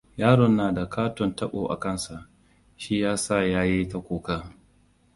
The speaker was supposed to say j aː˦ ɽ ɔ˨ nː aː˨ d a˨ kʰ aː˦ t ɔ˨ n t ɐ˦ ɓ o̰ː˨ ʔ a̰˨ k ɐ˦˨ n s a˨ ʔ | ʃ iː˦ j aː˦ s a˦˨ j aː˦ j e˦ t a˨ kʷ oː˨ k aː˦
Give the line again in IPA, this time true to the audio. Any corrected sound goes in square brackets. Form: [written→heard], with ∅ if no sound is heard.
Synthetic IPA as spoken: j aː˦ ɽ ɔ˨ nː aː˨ d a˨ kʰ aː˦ t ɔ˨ n t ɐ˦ ɓ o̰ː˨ ʔ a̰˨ k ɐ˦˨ n s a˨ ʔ | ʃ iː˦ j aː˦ s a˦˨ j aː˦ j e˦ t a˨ kʷ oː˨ k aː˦